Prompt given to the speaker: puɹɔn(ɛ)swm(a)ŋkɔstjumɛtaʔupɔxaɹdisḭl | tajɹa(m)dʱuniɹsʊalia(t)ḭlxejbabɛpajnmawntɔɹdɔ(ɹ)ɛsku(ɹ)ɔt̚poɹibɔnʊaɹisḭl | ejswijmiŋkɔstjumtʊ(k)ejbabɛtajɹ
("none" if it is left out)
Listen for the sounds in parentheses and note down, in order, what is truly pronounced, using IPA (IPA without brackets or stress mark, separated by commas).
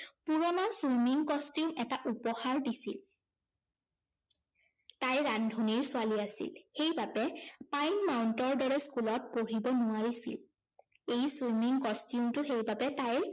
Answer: a, i, n, s, ɹ, l, x